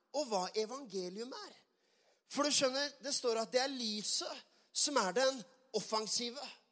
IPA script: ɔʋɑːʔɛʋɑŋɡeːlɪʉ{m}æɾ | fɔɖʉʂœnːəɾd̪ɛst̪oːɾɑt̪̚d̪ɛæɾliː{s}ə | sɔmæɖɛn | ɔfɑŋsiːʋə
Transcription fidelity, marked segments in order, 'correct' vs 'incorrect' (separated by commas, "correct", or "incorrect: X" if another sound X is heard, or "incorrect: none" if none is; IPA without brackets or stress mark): correct, correct